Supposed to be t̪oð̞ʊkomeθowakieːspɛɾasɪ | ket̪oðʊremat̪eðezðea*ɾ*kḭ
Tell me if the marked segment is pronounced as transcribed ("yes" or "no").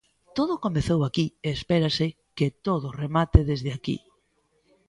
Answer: no